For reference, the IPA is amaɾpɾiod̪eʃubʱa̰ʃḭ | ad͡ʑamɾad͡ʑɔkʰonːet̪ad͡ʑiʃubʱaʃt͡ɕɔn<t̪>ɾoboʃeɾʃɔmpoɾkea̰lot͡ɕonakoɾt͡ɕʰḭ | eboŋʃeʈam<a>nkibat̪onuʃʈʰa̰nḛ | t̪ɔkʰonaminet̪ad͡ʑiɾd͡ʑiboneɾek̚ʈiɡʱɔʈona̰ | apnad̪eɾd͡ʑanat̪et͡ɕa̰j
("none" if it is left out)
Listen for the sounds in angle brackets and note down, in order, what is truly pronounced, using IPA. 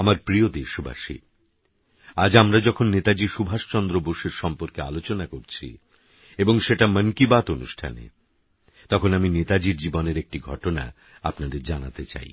d̪, ə

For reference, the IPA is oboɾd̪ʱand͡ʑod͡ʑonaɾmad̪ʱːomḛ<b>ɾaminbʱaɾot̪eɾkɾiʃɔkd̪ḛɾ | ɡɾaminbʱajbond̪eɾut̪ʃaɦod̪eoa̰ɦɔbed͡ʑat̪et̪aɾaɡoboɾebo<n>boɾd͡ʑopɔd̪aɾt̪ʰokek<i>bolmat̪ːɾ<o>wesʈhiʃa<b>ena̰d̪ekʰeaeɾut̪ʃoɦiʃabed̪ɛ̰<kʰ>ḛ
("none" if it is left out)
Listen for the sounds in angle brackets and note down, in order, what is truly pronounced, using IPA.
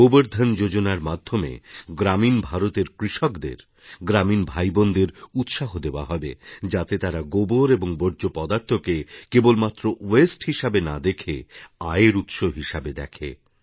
ɡ, ŋ, e, o, b, kʰ

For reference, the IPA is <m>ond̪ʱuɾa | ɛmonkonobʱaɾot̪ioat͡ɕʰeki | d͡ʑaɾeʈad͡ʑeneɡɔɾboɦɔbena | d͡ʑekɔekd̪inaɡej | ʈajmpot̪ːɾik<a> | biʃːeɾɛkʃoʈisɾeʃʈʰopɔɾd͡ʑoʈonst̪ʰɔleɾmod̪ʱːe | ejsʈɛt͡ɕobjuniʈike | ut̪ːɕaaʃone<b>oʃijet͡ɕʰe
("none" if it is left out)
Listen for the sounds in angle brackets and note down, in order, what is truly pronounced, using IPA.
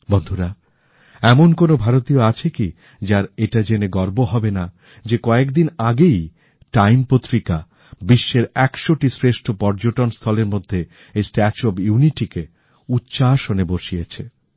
b, a, b

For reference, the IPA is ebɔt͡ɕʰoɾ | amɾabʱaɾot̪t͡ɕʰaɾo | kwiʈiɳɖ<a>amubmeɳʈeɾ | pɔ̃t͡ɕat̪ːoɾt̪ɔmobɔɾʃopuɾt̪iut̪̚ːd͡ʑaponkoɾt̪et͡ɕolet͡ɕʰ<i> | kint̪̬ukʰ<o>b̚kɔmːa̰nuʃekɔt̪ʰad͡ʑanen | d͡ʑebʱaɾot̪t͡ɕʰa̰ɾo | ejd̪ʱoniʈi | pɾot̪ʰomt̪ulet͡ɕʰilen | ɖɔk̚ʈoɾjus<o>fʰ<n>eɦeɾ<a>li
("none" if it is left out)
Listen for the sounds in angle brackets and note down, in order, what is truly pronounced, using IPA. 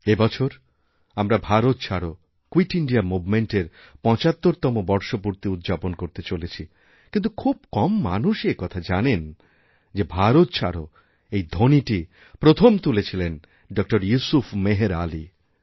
i, i, u, u, m, a

